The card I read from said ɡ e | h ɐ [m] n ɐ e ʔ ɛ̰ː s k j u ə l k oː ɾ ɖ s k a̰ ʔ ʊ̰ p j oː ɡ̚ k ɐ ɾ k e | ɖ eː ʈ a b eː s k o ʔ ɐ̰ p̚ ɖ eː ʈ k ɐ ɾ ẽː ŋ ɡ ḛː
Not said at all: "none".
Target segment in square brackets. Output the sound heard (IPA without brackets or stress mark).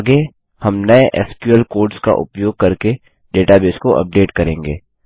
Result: m